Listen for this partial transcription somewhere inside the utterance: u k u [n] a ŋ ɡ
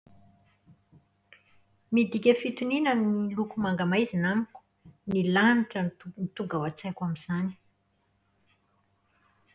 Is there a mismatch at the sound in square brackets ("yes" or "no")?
yes